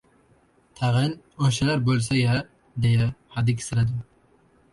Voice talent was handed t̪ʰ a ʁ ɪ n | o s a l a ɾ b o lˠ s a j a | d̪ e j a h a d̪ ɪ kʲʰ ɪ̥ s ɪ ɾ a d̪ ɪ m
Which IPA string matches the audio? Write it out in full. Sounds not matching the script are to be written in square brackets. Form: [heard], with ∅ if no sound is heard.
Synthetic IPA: t̪ʰ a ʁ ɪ n | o [ʃ] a l a ɾ b o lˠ s a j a | d̪ e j a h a d̪ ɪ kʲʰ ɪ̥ s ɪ ɾ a d̪ ɪ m